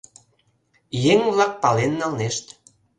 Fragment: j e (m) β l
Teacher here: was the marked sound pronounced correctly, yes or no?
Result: no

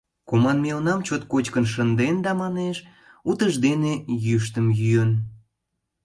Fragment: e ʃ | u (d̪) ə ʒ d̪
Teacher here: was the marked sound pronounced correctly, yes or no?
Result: no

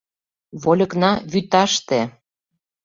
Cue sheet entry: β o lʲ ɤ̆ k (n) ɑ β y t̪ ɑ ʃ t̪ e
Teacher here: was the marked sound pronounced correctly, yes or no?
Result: yes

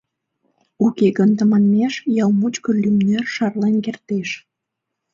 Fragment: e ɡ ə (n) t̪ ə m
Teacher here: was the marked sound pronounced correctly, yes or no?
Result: yes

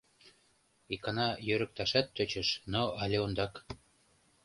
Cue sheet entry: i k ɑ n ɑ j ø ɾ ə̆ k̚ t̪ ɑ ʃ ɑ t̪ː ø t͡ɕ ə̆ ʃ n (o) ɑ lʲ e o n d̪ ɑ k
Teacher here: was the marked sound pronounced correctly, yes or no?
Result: yes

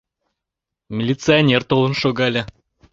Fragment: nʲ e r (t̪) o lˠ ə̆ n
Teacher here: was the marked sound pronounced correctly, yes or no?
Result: yes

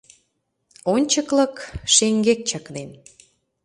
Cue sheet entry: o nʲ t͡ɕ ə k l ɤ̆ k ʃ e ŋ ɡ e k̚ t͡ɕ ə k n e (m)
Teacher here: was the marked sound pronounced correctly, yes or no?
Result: no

